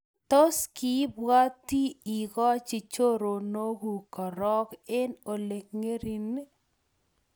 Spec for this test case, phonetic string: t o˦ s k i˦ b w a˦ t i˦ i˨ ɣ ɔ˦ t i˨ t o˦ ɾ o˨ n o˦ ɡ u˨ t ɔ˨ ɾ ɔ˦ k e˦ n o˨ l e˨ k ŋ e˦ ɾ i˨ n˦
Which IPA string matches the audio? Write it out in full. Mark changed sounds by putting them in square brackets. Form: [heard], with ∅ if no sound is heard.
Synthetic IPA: t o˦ s k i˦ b w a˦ t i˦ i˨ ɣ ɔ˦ [t͡ʃ] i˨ [t͡ʃ] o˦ ɾ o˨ n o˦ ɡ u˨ [k] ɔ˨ ɾ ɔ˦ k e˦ n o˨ l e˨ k ŋ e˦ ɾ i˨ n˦